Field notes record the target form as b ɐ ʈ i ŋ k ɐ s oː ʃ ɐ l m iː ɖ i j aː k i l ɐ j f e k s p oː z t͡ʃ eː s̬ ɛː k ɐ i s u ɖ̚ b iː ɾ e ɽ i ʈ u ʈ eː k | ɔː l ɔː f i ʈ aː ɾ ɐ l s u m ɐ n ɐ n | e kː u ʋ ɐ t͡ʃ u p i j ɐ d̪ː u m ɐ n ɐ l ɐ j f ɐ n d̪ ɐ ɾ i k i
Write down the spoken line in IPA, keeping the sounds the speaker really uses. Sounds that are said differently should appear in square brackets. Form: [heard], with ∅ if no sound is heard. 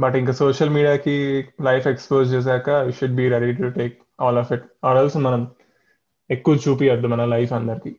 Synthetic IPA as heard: b ɐ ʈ i ŋ k ɐ s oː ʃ ɐ l m iː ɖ i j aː k i l ɐ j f e k s p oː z t͡ʃ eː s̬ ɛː k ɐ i [ʃ] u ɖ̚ b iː ɾ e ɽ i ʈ u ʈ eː k | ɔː l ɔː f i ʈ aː ɾ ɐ l s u m ɐ n ɐ [m] | e kː u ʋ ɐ t͡ʃ [uː] p i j ɐ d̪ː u m ɐ n ɐ l ɐ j f ɐ n d̪ ɐ ɾ i k i